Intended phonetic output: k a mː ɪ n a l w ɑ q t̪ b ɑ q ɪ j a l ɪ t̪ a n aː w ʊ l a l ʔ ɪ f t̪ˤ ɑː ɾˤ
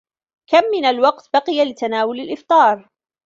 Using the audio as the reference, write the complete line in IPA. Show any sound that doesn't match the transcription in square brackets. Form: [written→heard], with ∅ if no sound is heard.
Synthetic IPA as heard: k a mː ɪ n a l w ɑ q t̪ b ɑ q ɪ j a l ɪ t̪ a n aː w ʊ l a l ʔ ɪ f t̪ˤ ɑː ɾˤ

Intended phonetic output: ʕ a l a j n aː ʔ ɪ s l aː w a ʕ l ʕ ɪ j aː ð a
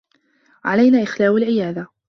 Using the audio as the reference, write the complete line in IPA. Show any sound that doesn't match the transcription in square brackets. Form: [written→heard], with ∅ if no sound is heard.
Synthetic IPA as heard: ʕ a l a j n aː ʔ ɪ [s→x] l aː w a [ʕ→∅] l ʕ ɪ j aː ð a

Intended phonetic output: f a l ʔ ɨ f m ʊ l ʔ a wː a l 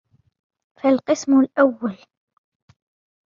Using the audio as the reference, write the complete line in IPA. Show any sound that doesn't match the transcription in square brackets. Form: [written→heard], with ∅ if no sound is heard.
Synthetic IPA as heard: f a l [ʔ→q] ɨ [f→s] m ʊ l ʔ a wː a l

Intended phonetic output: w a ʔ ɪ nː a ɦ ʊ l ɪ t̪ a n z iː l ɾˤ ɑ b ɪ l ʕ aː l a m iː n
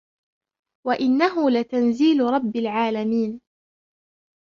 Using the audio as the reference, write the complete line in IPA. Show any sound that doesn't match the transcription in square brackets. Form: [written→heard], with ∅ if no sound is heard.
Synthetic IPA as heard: w a ʔ ɪ nː a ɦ ʊ l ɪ t̪ a n z iː l ɾˤ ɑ [b→bː] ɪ l ʕ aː l a m iː n

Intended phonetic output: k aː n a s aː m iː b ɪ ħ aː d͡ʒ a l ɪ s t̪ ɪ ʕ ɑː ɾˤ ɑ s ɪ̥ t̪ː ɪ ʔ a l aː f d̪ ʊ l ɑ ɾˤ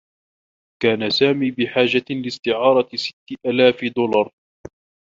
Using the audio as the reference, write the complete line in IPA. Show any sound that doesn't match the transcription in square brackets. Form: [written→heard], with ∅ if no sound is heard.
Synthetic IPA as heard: k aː n a s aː m iː b ɪ ħ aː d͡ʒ a l ɪ s t̪ ɪ ʕ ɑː ɾˤ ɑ s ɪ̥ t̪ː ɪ ʔ a l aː f d̪ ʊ l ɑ ɾˤ

